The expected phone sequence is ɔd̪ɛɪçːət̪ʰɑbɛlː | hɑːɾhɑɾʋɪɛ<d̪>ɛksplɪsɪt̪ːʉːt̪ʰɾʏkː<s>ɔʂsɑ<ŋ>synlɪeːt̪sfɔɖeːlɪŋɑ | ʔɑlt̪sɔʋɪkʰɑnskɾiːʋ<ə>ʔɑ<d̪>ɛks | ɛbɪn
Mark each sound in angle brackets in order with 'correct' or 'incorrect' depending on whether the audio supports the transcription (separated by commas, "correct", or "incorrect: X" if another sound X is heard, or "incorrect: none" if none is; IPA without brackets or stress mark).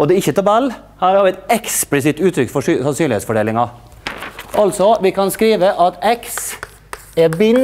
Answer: incorrect: t̪, incorrect: f, incorrect: n, correct, incorrect: t̪